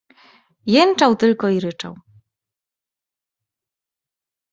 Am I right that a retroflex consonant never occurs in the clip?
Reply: no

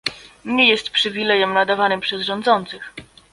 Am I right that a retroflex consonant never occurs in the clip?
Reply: no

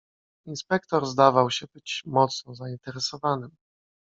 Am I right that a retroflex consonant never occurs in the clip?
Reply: yes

